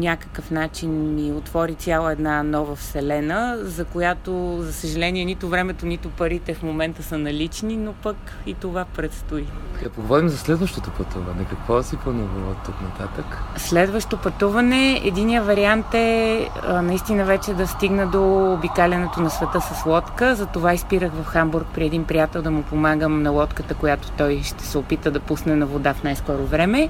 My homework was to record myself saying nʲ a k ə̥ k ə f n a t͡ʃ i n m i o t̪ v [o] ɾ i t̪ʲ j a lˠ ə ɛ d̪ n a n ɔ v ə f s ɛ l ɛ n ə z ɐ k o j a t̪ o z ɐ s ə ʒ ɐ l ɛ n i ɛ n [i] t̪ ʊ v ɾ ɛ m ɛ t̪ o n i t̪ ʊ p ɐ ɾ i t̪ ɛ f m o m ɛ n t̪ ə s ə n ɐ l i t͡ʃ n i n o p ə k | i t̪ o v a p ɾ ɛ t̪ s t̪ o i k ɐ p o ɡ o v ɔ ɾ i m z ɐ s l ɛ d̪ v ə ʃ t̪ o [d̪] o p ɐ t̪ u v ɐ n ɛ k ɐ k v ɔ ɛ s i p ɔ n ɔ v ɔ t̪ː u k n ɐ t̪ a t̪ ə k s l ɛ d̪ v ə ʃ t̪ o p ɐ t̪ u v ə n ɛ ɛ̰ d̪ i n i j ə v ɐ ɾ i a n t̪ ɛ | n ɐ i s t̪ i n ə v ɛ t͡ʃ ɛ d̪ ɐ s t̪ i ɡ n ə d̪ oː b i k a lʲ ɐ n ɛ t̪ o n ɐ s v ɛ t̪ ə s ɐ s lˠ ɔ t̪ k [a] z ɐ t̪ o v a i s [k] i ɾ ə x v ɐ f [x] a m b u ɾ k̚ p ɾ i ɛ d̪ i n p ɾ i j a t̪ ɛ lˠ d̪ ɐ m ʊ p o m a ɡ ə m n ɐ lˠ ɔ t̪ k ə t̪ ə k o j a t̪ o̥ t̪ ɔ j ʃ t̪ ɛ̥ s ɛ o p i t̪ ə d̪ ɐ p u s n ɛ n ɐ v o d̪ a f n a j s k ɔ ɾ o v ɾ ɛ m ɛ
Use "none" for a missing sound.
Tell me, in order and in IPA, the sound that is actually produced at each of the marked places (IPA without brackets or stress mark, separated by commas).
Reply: ɔ, i, t̪, ə, p, x